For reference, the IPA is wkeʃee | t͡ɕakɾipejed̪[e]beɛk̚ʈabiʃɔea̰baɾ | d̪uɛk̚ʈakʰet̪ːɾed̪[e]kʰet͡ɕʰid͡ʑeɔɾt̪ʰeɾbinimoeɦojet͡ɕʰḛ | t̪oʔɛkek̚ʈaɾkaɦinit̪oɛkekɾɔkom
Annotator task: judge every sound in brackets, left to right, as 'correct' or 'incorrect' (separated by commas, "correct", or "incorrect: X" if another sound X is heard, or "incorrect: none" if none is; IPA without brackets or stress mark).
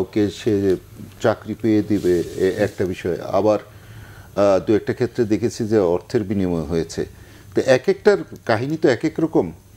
incorrect: i, correct